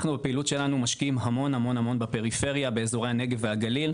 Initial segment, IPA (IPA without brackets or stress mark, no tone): χ